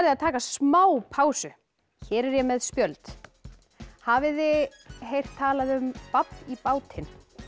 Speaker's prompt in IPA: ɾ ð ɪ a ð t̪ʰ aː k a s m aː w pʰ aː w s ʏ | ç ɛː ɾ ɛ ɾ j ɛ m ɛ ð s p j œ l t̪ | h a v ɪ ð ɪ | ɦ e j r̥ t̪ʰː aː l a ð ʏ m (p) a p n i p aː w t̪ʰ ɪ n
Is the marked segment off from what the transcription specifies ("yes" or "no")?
no